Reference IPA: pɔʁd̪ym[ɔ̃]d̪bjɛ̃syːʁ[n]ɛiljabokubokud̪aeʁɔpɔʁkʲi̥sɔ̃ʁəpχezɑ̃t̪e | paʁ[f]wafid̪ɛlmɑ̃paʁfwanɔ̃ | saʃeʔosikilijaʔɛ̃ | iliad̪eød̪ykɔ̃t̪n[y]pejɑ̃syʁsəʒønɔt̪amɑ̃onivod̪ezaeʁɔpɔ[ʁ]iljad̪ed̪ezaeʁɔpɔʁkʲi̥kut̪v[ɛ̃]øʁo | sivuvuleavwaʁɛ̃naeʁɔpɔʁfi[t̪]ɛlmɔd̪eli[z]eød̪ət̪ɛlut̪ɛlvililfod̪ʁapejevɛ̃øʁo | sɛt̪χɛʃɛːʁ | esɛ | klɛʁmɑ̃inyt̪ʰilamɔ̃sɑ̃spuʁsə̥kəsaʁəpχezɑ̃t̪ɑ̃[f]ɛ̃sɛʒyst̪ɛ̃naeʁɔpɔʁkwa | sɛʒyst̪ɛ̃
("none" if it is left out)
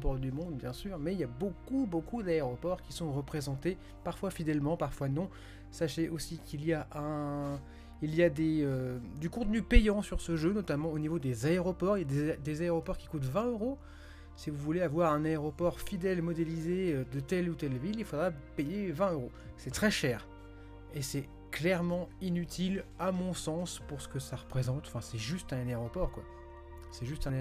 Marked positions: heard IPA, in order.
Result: ɔ̃, m, f, y, ʁ, ɛ̃, d̪, z, f

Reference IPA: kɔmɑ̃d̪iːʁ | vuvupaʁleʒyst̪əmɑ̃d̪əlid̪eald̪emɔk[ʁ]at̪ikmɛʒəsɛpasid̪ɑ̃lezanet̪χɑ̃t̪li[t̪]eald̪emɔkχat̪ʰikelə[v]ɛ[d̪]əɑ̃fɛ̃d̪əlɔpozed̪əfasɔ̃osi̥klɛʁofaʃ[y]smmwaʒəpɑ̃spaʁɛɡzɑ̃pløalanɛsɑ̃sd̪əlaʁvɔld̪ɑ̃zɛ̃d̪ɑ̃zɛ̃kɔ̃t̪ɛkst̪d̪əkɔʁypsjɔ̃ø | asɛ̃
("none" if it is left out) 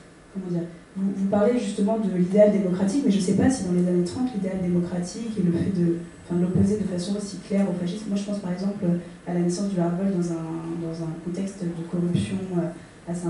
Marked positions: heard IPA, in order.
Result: χ, d̪, f, d̪, i

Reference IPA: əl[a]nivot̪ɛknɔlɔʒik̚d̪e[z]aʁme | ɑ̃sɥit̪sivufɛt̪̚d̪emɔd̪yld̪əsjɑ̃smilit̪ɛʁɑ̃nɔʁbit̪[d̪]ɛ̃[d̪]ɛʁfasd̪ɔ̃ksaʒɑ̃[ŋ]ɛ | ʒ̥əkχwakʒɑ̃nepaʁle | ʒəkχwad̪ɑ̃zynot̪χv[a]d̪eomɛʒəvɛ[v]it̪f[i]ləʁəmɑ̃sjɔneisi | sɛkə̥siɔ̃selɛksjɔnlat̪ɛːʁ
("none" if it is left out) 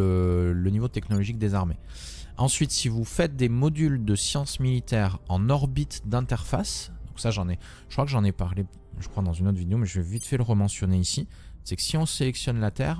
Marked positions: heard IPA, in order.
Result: ə, z, d̪, t̪, n, i, v, ɛ

